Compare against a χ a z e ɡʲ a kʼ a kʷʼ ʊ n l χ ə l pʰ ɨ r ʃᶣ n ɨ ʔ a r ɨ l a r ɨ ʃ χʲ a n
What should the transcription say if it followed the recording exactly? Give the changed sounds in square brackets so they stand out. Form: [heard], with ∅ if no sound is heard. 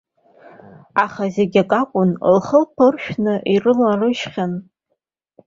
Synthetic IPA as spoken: a χ a z e ɡʲ a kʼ a kʷʼ ʊ n l χ ə l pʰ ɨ r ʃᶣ n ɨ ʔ [i] r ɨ l a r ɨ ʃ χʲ a n